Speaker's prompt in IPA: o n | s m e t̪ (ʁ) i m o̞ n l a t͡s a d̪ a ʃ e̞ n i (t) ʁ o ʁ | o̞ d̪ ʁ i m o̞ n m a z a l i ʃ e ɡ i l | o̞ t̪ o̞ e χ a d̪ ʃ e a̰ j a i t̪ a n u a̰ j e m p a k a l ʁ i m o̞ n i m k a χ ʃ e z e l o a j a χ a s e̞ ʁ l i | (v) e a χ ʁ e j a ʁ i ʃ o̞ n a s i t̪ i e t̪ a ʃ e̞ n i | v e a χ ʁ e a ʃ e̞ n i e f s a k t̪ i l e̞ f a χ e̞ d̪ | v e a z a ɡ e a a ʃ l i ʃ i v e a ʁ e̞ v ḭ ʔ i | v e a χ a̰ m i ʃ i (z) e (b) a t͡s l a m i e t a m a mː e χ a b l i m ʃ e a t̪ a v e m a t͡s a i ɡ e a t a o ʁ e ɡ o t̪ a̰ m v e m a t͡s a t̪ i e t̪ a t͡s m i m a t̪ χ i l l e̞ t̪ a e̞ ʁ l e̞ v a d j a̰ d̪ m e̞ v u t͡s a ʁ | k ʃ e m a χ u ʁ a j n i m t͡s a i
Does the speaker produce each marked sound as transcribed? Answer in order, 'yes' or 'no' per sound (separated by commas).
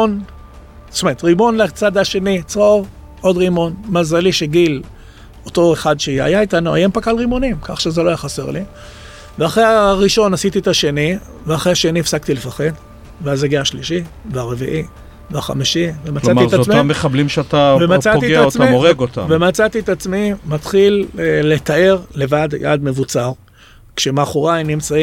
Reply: yes, no, yes, no, no